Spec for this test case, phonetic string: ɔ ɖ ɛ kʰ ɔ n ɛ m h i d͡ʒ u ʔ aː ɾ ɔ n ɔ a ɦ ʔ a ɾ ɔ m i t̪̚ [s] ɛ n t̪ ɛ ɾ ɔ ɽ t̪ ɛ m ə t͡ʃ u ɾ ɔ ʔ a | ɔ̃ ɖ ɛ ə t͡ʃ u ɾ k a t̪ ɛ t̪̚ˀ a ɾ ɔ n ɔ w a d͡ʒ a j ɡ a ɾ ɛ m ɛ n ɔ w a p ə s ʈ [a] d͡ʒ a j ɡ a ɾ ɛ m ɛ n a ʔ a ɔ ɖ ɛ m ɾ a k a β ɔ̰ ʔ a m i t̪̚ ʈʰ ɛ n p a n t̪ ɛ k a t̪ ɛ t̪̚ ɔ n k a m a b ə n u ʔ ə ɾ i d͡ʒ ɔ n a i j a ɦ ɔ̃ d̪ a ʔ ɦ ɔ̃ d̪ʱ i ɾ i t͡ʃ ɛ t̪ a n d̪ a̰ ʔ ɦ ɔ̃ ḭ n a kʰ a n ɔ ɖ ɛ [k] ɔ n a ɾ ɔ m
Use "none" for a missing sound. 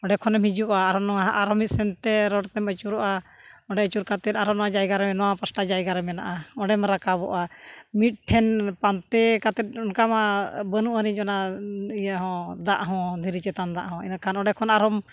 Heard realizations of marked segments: s, a, kʰ

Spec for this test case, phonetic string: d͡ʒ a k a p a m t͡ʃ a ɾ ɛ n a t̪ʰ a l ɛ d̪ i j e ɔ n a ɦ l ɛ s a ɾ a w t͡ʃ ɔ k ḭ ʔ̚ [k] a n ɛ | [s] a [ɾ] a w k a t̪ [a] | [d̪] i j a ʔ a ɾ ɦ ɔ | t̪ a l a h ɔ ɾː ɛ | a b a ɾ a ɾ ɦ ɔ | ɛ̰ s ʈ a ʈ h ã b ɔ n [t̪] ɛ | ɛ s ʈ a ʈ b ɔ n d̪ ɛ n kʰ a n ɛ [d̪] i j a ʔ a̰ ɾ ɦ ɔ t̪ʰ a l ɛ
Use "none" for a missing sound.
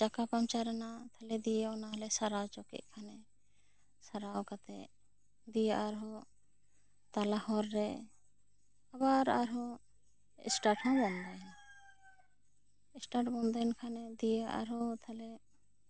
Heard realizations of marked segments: kʰ, s, ɾ, ɛ, d̪, d̪, d̪

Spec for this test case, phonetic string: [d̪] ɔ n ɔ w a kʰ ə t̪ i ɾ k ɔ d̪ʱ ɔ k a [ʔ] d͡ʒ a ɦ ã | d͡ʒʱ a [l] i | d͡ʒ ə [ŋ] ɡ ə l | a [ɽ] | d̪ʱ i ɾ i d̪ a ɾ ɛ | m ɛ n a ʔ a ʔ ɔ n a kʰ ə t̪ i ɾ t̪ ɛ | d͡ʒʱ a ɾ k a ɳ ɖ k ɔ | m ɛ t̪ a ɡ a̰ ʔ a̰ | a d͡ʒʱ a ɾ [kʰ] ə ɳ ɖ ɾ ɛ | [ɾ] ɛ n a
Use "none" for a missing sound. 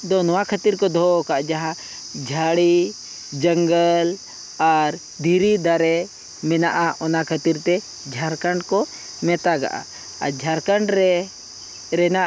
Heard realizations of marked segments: d̪, ʔ, ɽ, ŋ, ɾ, k, ɾ

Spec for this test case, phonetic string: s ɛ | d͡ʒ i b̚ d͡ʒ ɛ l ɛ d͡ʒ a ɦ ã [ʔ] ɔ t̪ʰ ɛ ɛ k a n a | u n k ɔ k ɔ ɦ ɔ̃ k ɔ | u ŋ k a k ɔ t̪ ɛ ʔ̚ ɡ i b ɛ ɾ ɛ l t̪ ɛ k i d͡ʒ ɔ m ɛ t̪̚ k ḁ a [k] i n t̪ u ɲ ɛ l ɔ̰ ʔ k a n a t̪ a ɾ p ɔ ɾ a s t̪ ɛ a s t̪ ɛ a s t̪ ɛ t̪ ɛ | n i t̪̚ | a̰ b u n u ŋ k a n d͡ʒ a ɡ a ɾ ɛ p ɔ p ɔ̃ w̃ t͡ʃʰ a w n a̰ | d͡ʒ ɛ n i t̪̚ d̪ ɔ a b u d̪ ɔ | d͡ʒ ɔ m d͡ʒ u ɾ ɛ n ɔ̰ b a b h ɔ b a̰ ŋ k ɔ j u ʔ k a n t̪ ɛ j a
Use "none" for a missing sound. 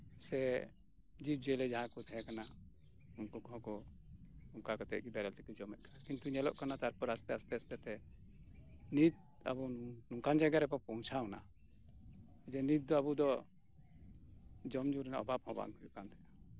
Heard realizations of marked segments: k, k

